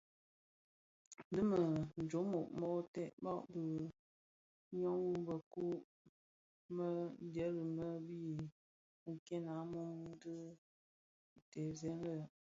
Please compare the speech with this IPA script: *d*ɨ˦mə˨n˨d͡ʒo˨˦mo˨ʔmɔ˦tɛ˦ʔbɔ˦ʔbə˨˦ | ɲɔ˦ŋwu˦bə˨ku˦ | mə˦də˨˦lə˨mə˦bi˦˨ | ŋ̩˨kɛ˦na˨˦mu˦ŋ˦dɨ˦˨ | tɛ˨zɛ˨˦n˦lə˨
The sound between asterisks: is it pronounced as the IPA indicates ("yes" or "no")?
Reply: yes